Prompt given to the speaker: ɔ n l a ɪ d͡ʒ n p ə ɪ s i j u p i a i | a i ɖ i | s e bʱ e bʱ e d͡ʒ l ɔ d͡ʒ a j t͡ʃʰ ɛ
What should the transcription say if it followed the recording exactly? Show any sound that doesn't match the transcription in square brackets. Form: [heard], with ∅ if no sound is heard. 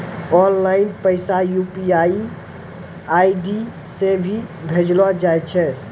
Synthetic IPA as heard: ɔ n l a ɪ [∅] n p ə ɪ s [a] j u p i a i | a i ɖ i | s e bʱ [i] bʱ e d͡ʒ l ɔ d͡ʒ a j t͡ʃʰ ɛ